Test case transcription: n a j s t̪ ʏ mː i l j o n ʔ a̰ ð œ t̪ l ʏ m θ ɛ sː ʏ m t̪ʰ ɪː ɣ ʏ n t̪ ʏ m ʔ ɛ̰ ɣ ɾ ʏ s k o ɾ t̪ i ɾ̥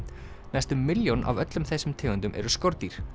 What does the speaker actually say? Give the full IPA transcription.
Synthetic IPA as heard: n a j s t̪ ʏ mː ɪ l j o n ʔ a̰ v œ t̪ l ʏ m θ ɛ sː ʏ m t̪ʰ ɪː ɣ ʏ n t̪ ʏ m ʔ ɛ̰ ɾ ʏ s k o ɾ t̪ i ɾ̥

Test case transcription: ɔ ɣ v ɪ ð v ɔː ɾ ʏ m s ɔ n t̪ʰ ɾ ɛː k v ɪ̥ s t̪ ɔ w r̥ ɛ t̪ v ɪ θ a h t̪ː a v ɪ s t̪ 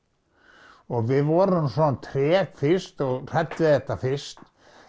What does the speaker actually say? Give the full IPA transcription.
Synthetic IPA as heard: ɔ ɣ v ɪ ð v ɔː ɾ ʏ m s ɔ n t̪ʰ ɾ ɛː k f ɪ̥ s t̪ ɔ ɣ r̥ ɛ t̪ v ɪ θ ɛ h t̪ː a f ɪ s t̪

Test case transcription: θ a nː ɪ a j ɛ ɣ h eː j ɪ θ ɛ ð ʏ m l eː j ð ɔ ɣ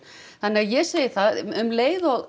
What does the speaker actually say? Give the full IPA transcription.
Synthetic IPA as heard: θ a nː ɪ a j ɛ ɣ s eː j ɪ θ a ð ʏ m l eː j ð ɔ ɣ

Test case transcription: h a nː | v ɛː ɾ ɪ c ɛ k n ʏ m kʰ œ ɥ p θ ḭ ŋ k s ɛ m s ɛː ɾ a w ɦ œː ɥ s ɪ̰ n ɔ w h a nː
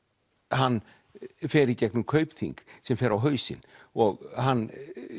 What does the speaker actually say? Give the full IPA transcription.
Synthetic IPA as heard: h a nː | f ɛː ɾ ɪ c ɛ k n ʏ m kʰ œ ɥ p θ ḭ ŋ k s ɛ m f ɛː ɾ a w ɦ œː ɥ s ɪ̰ n ɔ ɣ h a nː

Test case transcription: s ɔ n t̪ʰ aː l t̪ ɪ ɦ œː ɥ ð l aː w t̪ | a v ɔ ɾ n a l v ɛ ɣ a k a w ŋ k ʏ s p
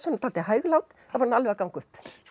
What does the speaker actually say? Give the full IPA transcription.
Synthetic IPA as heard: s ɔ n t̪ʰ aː l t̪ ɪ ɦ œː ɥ ɣ l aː w t̪ | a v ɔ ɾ n a l v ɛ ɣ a k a w ŋ k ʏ h p

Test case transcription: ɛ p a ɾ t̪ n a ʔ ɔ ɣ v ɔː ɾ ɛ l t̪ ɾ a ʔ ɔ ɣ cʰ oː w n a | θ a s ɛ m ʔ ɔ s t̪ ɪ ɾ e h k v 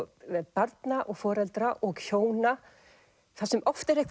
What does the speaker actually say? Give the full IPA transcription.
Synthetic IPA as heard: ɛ p a ɾ t̪ n a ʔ ɔ ɣ f ɔː ɾ ɛ l t̪ ɾ a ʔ ɔ ɣ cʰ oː w n a | θ a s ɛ m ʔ ɔ f t̪ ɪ ɾ e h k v

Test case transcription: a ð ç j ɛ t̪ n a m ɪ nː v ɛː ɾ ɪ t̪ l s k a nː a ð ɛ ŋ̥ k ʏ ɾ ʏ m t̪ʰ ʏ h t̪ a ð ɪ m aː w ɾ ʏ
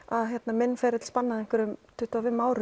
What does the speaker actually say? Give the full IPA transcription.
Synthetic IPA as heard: a ð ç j ɛ t̪ n a m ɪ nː f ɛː ɾ ɪ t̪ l s p a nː a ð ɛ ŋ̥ k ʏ ɾ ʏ m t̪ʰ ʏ h t̪ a v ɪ m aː w ɾ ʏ

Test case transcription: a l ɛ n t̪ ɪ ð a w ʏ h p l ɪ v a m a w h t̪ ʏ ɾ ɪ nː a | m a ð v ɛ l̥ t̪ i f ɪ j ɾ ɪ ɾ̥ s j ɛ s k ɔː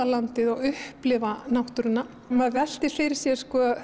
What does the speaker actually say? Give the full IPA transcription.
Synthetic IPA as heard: a l a n t̪ ɪ ð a ɣ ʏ h p l ɪ v a n a w h t̪ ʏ ɾ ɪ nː a | m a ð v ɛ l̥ t̪ ɪ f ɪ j ɾ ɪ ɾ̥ s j ɛ s k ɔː

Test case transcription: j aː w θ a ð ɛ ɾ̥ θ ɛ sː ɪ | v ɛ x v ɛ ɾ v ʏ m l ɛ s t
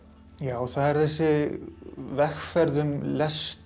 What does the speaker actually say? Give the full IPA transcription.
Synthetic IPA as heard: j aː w θ a ð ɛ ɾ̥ θ ɛ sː ɪ | v ɛ x f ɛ ɾ ð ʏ m l ɛ s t

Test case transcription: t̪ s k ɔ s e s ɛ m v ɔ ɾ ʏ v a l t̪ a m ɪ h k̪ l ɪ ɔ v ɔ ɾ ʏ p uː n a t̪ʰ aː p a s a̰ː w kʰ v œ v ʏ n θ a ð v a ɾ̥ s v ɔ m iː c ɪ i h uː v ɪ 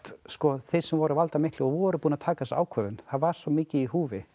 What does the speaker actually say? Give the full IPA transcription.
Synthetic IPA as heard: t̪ s k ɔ θ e s ɛ m v ɔ ɾ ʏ v a l t̪ a m ɪ h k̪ l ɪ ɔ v ɔ ɾ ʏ p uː n a t̪ʰ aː k a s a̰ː w kʰ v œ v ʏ n θ a ð v a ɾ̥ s v ɔ m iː c ɪ i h uː v ɪ

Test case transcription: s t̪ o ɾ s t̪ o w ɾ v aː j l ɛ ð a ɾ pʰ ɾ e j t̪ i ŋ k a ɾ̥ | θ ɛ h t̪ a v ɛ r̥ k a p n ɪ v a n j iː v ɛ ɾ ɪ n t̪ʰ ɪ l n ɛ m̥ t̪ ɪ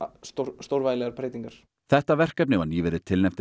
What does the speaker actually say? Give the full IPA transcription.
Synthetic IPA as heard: s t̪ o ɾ s t̪ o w ɾ v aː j l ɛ ɣ a ɾ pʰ ɾ e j t̪ i ŋ k a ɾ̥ | θ ɛ h t̪ a v ɛ r̥ k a p n ɪ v a n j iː v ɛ ɾ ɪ t̪ʰ ɪ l n ɛ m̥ t̪ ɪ

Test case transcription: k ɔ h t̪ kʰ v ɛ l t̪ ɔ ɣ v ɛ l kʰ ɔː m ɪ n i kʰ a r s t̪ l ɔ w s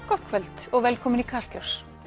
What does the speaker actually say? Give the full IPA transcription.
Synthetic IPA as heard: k ɔ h t̪ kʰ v ɛ l t̪ ɔ ɣ v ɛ l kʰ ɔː m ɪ n i kʰ a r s t̪ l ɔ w s

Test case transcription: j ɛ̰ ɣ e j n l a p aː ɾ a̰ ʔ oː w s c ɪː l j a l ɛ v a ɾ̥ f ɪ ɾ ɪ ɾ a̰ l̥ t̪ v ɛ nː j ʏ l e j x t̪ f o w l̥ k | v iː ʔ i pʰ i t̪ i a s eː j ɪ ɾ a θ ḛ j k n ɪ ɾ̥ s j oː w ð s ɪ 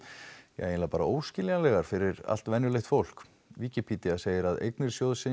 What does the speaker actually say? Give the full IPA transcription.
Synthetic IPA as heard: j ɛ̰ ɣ e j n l a p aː ɾ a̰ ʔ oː w s c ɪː l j a l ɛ ɣ a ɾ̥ f ɪ ɾ ɪ ɾ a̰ l̥ t̪ v ɛ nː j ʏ l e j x t̪ f o w l̥ k | v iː c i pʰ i t̪ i a s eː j ɪ ɾ a ð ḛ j k n ɪ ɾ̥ s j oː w ð s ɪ

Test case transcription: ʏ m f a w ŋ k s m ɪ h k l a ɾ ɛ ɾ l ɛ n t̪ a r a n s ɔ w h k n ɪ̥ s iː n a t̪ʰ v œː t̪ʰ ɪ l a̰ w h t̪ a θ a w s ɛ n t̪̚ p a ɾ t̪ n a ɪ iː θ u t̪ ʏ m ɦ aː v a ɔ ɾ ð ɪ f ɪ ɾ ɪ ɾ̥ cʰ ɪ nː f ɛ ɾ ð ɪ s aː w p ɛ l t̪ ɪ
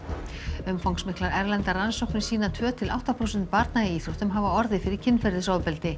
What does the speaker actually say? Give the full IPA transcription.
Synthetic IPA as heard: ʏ m f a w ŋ k s m ɪ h k l a ɾ ɛ ɾ l ɛ n t̪ a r a n s ɔ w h k n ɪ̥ s iː n a t̪ʰ v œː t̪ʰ ɪ l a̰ w h t̪ a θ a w s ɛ n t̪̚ p a ɾ t̪ n a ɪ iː θ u t̪ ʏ m ɦ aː v a ɔ ɾ ð ɪ f ɪ ɾ ɪ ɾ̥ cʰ ɪ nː f ɛ ɾ ð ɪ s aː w p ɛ l t̪ ɪ

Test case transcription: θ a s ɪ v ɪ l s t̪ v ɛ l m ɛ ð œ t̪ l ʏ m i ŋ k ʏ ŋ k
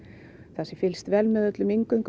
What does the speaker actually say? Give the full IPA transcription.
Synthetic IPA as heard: θ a s ɪ f ɪ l s t̪ v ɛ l m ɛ ð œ t̪ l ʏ m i ŋ k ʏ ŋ k

